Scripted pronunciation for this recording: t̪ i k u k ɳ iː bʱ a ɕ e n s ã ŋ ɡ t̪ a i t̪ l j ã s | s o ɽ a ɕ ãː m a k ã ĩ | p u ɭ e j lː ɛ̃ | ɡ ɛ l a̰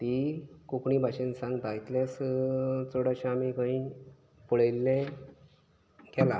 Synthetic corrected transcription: t̪ i k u k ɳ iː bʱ a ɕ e n s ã ŋ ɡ t̪ a i t̪ l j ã s | t͡s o ɽ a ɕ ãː m i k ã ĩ | p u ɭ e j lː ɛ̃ | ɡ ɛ l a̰